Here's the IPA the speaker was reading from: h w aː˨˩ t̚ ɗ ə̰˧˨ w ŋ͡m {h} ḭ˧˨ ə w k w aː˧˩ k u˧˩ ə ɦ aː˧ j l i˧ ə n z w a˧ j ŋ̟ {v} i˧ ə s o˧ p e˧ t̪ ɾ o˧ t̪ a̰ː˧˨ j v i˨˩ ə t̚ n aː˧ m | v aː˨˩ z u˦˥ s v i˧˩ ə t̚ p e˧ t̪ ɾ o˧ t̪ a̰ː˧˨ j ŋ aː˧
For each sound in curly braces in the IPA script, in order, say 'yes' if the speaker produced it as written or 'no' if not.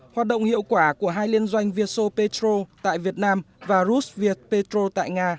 yes, yes

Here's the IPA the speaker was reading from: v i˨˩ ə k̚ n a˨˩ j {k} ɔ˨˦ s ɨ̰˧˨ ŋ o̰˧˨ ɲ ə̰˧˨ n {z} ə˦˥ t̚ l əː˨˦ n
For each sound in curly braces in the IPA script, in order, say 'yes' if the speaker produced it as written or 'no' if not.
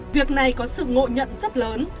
yes, yes

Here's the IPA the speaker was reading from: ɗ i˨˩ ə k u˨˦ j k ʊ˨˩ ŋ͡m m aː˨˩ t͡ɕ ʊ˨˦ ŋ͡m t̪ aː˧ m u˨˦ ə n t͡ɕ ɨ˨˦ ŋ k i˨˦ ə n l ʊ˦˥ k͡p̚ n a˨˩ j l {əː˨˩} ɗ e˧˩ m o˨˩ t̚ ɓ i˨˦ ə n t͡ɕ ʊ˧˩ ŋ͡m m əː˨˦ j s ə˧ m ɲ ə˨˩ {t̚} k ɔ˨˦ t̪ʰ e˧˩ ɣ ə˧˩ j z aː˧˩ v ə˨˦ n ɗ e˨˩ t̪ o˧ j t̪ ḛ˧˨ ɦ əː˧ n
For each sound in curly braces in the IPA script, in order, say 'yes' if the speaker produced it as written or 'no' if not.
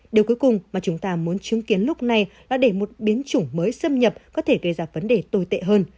no, no

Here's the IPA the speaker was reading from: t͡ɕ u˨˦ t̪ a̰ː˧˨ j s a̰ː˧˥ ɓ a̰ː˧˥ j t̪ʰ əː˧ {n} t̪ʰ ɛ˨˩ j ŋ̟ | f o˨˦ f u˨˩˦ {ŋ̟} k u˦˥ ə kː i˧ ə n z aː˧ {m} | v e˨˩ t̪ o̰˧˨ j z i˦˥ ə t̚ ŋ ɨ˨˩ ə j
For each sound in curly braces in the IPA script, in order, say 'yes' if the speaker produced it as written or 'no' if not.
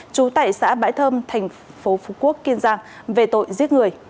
no, no, no

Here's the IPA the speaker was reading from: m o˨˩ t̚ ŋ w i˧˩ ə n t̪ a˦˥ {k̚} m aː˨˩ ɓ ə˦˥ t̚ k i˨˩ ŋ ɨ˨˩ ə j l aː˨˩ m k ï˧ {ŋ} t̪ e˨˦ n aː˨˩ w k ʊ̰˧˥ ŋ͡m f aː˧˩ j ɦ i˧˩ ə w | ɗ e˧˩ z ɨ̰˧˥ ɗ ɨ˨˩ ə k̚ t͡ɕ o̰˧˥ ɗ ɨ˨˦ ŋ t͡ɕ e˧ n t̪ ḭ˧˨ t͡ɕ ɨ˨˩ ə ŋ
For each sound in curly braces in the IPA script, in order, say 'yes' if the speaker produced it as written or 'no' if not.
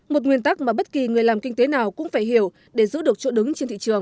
yes, yes

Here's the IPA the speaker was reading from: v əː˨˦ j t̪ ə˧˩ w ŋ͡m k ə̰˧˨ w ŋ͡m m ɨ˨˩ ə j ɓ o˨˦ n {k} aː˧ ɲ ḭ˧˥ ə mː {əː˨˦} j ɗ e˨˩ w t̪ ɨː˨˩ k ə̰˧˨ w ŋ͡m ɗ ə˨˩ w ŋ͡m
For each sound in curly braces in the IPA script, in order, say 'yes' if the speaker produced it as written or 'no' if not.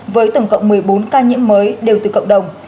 yes, yes

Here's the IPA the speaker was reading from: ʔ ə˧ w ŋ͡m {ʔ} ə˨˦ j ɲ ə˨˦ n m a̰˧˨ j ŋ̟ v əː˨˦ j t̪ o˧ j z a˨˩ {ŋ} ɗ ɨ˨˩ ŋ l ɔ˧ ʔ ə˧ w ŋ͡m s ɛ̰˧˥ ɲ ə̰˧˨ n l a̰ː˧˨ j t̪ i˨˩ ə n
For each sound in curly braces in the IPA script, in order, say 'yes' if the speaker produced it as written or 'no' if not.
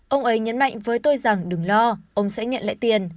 yes, yes

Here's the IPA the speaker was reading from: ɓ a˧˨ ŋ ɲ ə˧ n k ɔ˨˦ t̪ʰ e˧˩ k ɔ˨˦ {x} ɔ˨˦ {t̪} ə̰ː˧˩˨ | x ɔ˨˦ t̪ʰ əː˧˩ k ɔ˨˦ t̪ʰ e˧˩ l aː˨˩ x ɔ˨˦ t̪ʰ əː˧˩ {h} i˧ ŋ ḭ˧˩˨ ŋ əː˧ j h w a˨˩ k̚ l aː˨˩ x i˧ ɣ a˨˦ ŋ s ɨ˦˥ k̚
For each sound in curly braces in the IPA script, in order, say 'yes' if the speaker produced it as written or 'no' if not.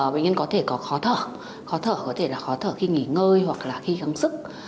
yes, no, no

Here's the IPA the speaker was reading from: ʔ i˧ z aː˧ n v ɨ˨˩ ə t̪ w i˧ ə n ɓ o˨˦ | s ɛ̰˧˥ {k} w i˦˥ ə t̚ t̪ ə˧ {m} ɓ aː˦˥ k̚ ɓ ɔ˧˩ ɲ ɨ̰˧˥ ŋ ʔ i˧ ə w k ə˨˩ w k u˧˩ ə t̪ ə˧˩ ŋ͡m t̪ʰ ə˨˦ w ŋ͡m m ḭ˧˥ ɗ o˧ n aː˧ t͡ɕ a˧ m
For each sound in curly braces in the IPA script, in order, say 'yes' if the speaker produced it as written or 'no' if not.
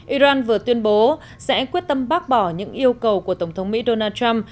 yes, yes

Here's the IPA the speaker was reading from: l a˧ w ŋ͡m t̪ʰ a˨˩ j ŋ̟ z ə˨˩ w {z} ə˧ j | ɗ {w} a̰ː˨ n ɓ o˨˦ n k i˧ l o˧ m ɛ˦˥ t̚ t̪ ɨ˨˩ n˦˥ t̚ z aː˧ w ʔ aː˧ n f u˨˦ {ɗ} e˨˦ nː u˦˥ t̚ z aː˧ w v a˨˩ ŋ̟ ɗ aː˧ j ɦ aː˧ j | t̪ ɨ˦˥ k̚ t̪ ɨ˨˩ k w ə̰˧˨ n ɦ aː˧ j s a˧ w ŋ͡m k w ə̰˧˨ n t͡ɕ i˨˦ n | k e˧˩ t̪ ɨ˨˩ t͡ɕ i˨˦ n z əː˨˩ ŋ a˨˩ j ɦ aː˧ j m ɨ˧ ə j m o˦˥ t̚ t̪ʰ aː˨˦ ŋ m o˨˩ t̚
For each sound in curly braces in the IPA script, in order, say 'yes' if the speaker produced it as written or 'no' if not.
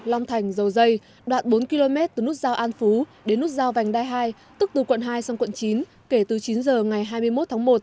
yes, yes, yes

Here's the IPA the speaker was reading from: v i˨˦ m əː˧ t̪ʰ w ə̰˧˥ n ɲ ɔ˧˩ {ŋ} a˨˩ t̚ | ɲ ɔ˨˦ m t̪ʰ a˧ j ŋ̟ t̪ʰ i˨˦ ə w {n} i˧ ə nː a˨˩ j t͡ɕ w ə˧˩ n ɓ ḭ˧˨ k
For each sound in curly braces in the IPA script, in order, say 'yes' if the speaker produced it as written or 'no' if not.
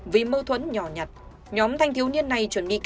no, yes

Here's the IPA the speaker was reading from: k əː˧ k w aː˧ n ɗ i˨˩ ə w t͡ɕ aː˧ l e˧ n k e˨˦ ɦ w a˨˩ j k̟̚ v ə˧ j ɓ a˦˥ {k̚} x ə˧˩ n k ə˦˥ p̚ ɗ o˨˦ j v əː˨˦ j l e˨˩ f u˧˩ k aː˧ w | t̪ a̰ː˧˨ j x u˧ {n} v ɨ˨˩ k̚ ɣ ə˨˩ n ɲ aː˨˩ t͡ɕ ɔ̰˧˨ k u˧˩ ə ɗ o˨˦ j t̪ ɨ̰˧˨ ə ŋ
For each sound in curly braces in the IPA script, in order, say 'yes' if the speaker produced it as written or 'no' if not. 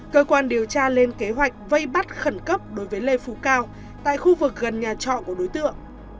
no, no

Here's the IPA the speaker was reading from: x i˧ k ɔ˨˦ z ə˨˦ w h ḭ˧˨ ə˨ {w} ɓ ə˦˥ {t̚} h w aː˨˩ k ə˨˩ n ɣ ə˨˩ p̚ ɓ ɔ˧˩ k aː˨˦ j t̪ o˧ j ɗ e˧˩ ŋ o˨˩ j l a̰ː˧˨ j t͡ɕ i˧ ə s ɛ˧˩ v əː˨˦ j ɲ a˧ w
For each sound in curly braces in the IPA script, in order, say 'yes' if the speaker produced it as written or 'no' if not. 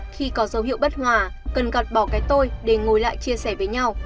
yes, yes

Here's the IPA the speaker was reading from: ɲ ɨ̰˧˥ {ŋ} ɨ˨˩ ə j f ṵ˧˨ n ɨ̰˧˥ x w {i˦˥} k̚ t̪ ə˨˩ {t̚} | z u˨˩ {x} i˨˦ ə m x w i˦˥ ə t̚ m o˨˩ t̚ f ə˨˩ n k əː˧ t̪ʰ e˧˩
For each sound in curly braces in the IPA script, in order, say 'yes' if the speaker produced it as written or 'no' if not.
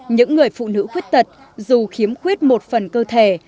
no, yes, yes, yes

